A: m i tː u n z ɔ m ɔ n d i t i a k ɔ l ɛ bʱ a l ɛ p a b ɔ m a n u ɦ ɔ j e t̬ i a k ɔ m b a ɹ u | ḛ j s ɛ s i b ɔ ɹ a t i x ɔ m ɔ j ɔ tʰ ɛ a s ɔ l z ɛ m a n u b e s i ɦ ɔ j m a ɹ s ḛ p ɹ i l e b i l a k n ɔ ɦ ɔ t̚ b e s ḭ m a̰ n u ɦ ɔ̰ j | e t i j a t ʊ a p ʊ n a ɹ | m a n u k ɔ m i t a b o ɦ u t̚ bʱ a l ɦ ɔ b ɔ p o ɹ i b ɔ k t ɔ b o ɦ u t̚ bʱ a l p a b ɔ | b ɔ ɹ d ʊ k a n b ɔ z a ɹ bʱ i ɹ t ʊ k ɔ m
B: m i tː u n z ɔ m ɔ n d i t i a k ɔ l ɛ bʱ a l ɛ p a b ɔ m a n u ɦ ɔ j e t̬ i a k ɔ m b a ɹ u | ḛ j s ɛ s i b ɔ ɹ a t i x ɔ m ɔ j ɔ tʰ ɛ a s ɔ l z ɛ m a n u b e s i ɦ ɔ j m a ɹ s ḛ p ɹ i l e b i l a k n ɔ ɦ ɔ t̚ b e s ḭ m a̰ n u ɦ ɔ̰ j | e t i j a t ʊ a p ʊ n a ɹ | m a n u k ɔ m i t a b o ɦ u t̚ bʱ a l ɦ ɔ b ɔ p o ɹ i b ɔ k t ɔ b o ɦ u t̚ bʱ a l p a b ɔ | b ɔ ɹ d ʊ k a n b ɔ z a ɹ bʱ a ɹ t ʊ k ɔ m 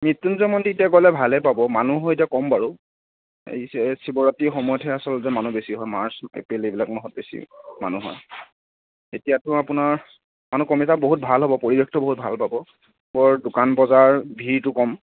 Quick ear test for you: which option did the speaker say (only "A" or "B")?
A